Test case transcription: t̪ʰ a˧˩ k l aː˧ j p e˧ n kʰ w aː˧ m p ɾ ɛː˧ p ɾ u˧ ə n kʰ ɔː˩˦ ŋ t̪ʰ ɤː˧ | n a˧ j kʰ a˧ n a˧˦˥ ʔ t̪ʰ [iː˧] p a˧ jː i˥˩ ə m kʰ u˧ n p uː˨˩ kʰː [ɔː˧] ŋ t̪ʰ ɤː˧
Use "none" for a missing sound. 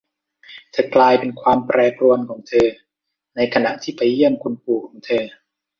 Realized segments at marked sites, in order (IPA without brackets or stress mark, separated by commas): iː˥˩, ɔː˩˦